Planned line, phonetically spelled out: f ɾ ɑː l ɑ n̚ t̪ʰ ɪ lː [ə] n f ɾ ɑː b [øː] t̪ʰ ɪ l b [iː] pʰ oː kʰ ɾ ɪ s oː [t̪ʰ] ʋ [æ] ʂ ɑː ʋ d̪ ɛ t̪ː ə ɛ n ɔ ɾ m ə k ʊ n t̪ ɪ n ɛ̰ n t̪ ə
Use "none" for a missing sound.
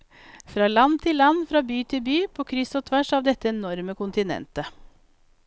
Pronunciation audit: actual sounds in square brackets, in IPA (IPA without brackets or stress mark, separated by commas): ɑ, yː, yː, t̪ʰ, æ